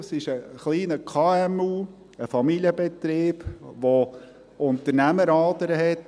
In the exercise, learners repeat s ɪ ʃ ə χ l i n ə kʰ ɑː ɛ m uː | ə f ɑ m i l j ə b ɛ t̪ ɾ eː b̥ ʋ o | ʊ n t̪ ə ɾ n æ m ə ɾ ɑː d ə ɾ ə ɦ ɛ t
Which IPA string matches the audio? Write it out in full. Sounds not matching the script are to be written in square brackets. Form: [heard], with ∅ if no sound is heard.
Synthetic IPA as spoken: s ɪ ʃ ə χ l [iː] n ə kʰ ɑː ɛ m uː | ə f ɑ m i l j ə b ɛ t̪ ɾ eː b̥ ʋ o | ʊ n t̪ ə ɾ n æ m ə ɾ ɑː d ə ɾ ə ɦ ɛ t